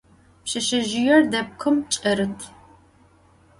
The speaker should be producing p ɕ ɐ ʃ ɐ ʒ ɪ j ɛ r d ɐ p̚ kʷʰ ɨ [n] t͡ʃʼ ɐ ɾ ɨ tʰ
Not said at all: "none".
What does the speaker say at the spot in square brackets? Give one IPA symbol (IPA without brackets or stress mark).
m